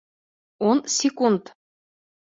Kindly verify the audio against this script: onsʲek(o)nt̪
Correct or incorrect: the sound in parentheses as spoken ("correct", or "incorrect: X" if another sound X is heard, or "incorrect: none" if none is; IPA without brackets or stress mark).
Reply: incorrect: u